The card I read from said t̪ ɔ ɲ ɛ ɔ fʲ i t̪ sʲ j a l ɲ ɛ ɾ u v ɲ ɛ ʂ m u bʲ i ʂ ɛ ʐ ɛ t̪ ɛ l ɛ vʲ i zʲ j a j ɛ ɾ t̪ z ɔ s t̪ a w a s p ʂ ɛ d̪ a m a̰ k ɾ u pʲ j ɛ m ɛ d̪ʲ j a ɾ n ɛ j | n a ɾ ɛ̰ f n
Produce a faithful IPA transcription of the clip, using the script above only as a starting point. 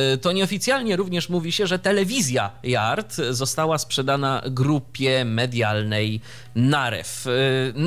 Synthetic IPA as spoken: t̪ ɔ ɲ ɛ ɔ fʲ i t̪ sʲ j a l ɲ ɛ ɾ u v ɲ ɛ ʂ m u vʲ i ɕ ɛ ʐ ɛ t̪ ɛ l ɛ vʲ i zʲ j a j a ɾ t̪ z ɔ s t̪ a w a s p ʂ ɛ d̪ a n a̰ ɡ ɾ u pʲ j ɛ m ɛ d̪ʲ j a l n ɛ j | n a ɾ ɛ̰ f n